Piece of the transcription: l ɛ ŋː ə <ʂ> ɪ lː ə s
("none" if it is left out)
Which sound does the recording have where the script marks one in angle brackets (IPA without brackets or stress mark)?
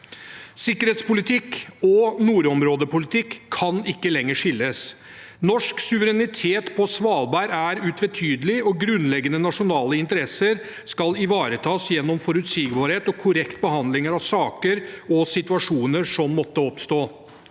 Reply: ʂ